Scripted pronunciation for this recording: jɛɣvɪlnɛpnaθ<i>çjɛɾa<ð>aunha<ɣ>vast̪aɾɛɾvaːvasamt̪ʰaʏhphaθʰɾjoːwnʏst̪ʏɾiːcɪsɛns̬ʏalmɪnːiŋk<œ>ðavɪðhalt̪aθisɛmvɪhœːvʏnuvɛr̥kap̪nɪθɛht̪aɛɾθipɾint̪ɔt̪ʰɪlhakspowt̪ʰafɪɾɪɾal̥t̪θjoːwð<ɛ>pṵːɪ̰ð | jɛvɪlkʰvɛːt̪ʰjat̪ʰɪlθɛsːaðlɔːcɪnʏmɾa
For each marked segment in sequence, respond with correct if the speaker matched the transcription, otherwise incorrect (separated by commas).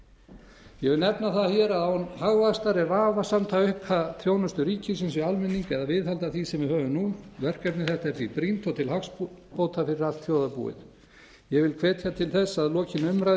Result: incorrect, correct, correct, incorrect, incorrect